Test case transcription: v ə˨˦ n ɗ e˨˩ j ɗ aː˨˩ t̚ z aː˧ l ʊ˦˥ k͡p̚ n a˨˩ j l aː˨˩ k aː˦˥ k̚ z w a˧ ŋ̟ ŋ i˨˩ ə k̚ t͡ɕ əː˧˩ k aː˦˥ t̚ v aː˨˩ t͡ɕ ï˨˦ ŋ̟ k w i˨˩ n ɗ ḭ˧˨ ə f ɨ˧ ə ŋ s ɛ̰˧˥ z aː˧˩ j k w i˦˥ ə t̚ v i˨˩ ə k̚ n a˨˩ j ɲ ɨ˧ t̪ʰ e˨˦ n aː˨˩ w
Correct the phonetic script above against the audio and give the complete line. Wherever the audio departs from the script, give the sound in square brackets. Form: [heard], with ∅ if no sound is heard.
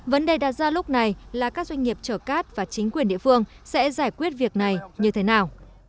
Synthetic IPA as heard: v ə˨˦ n ɗ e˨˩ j ɗ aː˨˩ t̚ z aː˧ l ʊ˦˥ k͡p̚ n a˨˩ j l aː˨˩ k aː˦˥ k̚ z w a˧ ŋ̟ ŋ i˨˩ ə [p̚] t͡ɕ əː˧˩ k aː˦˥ t̚ v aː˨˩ t͡ɕ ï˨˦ ŋ̟ k w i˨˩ n ɗ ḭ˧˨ ə f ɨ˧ ə ŋ s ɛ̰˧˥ z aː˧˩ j k w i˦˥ ə t̚ v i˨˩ ə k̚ n a˨˩ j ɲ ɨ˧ t̪ʰ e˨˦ n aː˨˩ w

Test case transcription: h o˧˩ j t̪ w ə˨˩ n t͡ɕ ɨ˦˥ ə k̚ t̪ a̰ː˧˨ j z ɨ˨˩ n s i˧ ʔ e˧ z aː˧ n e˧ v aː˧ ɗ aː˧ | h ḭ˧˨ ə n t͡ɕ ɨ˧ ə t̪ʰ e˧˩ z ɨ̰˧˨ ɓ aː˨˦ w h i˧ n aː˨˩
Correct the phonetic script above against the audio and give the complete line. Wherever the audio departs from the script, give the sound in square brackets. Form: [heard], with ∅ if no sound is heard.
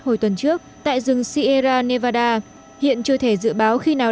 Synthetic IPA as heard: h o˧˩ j t̪ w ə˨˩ n t͡ɕ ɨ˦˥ ə k̚ t̪ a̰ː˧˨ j z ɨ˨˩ [ŋ] s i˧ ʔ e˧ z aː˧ n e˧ v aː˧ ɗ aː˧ | h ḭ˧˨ ə n t͡ɕ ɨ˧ ə t̪ʰ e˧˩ z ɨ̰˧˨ ɓ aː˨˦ w [x] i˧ n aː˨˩

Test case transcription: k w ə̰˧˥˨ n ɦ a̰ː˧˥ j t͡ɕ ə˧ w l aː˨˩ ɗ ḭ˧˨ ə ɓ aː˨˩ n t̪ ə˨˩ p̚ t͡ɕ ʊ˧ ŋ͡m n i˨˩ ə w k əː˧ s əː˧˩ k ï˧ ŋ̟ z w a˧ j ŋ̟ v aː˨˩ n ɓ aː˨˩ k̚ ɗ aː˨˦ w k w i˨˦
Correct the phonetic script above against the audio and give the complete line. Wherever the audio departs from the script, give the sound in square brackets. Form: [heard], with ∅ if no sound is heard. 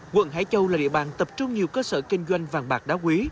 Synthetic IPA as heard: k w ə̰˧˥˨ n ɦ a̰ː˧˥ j t͡ɕ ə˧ w l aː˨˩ ɗ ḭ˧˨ ə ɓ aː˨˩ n t̪ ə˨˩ p̚ t͡ɕ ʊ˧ ŋ͡m [ɲ] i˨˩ ə w k əː˧ s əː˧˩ k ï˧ ŋ̟ z w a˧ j ŋ̟ v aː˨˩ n ɓ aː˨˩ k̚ ɗ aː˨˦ w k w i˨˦

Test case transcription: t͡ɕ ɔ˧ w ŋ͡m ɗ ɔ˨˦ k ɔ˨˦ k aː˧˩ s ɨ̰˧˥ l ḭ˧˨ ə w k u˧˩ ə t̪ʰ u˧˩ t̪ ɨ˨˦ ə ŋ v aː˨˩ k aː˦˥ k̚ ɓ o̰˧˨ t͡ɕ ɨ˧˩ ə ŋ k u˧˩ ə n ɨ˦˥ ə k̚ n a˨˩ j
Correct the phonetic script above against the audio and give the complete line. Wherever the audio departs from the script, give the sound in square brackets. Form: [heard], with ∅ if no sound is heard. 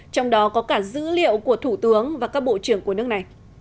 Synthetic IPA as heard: t͡ɕ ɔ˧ w ŋ͡m ɗ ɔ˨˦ k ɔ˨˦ k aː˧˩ [z] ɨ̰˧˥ l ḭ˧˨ ə w k u˧˩ ə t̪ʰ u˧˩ t̪ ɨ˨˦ ə ŋ v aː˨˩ k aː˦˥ k̚ ɓ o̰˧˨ t͡ɕ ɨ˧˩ ə ŋ k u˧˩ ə n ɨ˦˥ ə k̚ n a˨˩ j

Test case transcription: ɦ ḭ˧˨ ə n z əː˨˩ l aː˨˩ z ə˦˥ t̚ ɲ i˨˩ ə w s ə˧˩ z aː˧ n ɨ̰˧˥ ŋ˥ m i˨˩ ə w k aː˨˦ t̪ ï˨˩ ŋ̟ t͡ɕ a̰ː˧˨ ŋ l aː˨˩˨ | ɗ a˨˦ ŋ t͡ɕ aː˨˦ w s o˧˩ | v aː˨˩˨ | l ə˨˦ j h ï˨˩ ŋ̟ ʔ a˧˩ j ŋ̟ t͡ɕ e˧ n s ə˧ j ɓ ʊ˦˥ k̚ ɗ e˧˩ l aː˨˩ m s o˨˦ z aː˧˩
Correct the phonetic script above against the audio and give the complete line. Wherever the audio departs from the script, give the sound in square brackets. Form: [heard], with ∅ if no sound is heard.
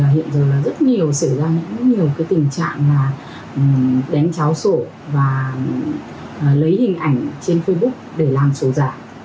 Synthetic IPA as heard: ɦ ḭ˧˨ ə n z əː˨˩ l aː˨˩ z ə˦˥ t̚ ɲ i˨˩ ə w s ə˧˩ z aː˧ [ɲ] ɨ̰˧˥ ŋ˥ [ɲ] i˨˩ ə w k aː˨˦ t̪ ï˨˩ ŋ̟ t͡ɕ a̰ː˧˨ ŋ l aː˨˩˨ | ɗ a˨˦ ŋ t͡ɕ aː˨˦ w s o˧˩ | v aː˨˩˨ | l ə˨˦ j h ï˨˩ ŋ̟ ʔ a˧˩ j ŋ̟ t͡ɕ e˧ n [f] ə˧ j ɓ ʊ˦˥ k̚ ɗ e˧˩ l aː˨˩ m s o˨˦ z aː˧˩

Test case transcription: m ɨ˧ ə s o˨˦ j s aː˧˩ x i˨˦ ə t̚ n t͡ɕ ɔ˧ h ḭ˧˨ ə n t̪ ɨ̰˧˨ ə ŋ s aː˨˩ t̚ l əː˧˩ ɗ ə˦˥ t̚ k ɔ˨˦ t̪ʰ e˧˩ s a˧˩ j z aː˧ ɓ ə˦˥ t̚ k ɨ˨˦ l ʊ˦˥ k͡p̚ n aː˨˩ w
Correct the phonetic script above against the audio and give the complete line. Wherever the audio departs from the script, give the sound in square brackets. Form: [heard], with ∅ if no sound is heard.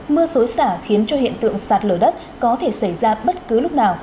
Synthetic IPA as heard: m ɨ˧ ə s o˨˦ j s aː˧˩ x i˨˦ ə [∅] n t͡ɕ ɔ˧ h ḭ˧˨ ə n t̪ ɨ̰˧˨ ə ŋ s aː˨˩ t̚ l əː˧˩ ɗ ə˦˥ t̚ k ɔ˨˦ t̪ʰ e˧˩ s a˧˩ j z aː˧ ɓ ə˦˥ t̚ k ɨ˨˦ l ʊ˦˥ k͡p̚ n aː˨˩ w

